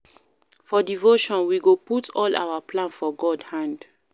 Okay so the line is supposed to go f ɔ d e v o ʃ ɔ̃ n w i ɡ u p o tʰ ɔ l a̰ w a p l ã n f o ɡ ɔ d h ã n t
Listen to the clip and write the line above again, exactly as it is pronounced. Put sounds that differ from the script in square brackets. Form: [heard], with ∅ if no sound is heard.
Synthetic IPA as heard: f ɔ d [i] v o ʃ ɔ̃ n w i ɡ [o] p [u] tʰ ɔ l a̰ w a p l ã n f [ɔ] ɡ ɔ d h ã n [d]